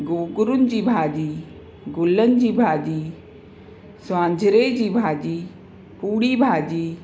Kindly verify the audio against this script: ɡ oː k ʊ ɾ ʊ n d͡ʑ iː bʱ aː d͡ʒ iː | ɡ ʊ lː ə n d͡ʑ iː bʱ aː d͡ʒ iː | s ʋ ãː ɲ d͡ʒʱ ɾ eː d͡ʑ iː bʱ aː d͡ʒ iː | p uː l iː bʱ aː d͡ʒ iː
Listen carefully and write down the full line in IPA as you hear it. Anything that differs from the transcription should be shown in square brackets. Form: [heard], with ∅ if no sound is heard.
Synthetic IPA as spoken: ɡ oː [ɡ] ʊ ɾ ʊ n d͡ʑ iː bʱ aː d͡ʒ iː | ɡ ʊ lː ə n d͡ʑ iː bʱ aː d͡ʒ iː | s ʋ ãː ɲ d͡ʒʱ ɾ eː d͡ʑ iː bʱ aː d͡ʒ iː | p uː [ɽ] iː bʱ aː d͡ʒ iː